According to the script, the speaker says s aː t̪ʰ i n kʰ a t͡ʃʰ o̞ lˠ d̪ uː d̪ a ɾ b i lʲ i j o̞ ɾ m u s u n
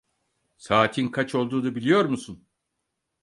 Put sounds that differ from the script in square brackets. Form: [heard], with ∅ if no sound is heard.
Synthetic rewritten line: s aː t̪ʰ i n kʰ a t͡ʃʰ o̞ lˠ d̪ uː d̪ a [∅] b i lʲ i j o̞ ɾ m u s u n

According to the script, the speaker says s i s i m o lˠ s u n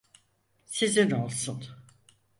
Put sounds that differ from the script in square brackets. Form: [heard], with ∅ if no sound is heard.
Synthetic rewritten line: s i [z] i [n] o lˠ s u n

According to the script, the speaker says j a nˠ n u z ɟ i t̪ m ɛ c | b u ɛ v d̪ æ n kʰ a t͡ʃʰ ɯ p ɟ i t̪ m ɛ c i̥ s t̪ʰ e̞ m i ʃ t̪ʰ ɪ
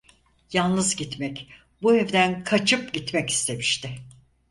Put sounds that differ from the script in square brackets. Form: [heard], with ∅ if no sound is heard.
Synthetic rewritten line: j a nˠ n [ɯ] z ɟ i t̪ m ɛ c | b u ɛ v d̪ æ n kʰ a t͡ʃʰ ɯ p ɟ i t̪ m ɛ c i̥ s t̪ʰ e̞ m i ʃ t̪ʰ ɪ

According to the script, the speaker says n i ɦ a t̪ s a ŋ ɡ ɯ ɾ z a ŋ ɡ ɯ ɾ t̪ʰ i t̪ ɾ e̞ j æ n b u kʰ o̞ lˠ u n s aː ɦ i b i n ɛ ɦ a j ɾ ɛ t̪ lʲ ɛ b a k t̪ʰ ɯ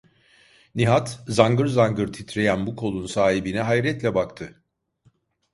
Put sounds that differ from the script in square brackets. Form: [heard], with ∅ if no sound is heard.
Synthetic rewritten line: n i ɦ a t̪ [z] a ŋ ɡ ɯ ɾ z a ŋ ɡ ɯ ɾ t̪ʰ i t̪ ɾ e̞ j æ n b u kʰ o̞ lˠ u n s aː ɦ i b i n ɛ ɦ a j ɾ ɛ t̪ lʲ ɛ b a k t̪ʰ ɯ

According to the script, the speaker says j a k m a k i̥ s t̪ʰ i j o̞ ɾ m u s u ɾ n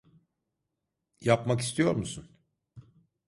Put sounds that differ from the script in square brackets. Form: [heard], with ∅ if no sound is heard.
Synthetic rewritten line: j a [p] m a k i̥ s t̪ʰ i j o̞ ɾ m u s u [∅] n

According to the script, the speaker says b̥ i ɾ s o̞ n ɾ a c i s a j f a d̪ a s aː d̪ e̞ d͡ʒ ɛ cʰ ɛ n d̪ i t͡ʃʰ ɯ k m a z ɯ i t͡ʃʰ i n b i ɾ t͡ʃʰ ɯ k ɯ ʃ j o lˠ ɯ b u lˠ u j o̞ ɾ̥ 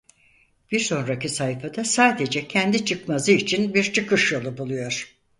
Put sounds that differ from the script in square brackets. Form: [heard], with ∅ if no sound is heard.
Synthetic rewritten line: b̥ i ɾ s o̞ n ɾ a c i s a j f a d̪ a s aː d̪ e̞ d͡ʒ ɛ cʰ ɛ n d̪ i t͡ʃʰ ɯ k m a z ɯ i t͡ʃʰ i n b i ɾ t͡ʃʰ ɯ k ɯ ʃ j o lˠ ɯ b u lˠ u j o̞ ɾ̥

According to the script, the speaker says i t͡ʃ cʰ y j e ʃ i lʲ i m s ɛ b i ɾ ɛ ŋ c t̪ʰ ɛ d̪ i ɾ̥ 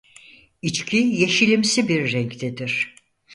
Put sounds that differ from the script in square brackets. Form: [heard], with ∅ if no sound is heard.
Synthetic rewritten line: i t͡ʃ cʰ [i] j e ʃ i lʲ i m s [i] b i [ɾː] ɛ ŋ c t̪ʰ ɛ d̪ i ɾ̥

